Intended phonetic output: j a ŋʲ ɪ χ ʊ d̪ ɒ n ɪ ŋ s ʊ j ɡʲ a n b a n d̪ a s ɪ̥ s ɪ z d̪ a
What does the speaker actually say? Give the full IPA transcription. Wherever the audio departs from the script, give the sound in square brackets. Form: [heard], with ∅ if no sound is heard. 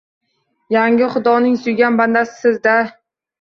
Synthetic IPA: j a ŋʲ ɪ χ ʊ d̪ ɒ n ɪ ŋ s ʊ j ɡʲ a n b a n d̪ a s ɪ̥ s ɪ z d̪ a